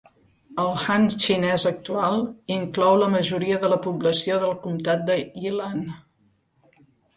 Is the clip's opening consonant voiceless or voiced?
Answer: voiced